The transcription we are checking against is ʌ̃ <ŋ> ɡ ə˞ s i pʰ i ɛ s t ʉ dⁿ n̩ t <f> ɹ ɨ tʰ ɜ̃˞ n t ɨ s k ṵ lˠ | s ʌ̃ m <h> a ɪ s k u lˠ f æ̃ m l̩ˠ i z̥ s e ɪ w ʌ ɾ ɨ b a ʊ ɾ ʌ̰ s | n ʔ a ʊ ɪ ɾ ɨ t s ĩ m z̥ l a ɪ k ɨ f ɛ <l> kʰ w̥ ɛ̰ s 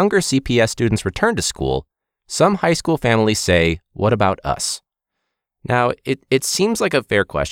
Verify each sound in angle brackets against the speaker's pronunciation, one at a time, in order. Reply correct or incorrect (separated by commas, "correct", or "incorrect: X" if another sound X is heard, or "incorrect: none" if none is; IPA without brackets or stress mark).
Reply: correct, incorrect: s, correct, incorrect: ɹ